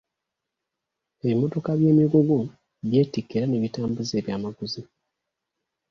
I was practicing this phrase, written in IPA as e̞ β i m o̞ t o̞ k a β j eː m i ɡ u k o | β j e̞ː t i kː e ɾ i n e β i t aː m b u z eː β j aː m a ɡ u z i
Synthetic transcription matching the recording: e̞ β i m o̞ t o̞ k a β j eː m i ɡ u ɡ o | β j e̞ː t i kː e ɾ a n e β i t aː m b u z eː β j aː m a ɡ u z i